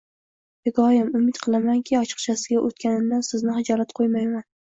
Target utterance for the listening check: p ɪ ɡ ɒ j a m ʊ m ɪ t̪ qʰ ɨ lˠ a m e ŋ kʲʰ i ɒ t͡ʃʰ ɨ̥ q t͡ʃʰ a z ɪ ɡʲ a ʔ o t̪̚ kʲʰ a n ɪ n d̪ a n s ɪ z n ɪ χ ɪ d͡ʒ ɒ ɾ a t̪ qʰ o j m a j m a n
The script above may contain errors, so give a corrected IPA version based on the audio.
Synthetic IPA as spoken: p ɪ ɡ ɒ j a m ʊ m ɪ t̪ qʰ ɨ lˠ a m a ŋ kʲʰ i ɒ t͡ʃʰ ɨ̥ q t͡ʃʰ a s ɪ ɡʲ a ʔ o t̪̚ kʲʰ a n ɪ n d̪ a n s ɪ z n ɪ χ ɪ d͡ʒ ɒ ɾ a t̪ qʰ o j m a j m a n